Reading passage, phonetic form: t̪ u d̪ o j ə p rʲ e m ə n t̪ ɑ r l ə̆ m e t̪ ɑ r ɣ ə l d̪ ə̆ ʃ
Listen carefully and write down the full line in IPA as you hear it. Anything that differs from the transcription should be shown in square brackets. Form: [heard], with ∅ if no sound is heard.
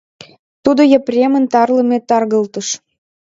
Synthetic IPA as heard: t̪ u d̪ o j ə p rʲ e m ə n t̪ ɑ r l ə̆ m e t̪ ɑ r ɣ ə l [t̪] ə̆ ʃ